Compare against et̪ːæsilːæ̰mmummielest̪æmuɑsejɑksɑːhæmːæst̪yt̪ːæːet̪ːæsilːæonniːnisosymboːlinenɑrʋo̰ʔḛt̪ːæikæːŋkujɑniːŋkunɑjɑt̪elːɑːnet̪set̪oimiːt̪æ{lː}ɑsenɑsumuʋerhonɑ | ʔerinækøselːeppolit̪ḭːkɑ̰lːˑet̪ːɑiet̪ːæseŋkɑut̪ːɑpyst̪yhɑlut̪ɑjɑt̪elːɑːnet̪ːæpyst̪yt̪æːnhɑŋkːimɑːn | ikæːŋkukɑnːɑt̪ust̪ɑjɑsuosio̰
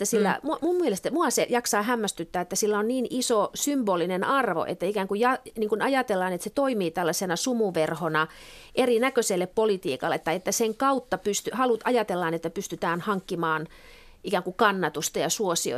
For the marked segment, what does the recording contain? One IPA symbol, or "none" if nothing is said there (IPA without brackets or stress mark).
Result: lː